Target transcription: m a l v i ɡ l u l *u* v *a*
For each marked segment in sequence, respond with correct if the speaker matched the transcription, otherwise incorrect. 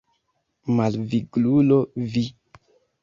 incorrect: o, incorrect: i

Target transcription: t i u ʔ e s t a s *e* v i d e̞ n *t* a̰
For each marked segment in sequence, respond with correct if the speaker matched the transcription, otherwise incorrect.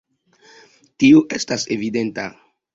correct, correct

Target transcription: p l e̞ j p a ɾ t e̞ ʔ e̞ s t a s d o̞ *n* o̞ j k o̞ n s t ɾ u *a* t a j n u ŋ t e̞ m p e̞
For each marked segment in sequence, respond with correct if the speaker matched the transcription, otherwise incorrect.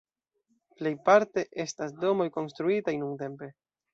incorrect: m, incorrect: i

